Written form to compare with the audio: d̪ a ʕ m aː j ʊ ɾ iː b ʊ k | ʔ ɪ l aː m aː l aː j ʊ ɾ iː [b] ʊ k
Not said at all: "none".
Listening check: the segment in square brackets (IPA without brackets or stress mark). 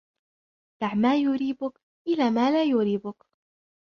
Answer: b